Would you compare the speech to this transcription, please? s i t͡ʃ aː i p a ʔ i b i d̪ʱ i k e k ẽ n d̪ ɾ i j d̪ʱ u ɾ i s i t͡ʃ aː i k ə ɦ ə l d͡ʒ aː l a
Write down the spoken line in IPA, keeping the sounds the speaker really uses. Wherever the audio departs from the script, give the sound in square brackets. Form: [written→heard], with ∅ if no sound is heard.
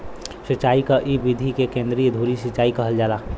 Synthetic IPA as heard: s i t͡ʃ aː i [p→k] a ʔ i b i d̪ʱ i k e k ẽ n d̪ ɾ i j d̪ʱ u ɾ i s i t͡ʃ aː i k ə ɦ ə l d͡ʒ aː l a